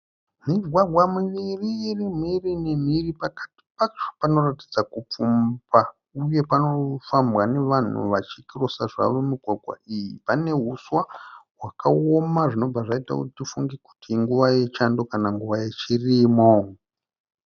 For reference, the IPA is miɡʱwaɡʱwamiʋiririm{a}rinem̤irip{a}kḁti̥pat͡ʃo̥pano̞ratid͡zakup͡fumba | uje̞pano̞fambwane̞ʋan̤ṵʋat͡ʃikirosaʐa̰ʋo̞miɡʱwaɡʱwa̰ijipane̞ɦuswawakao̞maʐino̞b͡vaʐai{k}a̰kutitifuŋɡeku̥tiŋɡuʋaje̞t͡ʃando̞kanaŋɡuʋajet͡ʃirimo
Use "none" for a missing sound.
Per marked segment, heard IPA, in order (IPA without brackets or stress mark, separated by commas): i, a, t